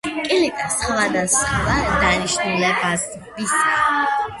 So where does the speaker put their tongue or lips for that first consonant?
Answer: velum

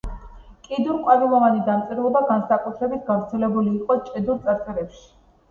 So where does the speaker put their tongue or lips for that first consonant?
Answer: velum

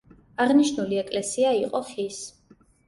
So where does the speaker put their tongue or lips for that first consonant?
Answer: uvula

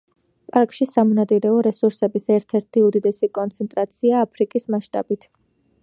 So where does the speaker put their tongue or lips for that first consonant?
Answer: lips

